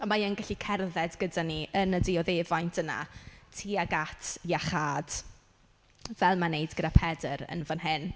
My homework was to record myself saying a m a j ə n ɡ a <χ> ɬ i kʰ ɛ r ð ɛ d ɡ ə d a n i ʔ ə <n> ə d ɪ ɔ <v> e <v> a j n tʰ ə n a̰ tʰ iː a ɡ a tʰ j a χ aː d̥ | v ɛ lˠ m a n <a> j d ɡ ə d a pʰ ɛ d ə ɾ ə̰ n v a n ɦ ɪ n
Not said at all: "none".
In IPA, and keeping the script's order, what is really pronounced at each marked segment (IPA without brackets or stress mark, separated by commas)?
none, n, ð, v, e